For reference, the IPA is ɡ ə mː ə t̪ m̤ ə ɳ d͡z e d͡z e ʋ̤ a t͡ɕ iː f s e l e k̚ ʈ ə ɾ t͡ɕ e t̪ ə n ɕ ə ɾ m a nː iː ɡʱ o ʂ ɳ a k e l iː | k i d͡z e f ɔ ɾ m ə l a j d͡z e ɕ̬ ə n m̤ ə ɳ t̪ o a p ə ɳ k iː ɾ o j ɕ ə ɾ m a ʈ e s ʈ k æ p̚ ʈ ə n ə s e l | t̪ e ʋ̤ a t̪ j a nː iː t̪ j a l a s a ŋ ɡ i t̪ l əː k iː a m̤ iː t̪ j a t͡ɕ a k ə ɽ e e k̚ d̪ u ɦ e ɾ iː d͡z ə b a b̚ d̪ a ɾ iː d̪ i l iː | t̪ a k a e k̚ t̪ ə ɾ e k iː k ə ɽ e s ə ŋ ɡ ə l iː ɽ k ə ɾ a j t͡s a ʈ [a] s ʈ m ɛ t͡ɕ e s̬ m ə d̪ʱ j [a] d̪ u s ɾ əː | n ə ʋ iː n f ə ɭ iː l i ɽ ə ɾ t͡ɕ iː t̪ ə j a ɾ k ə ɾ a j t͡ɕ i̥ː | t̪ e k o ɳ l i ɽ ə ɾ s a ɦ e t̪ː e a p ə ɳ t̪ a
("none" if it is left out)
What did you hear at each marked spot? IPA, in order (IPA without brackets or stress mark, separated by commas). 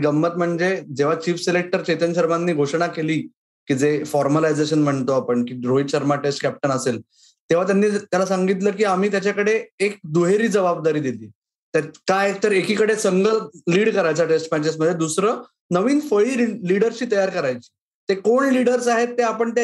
e, e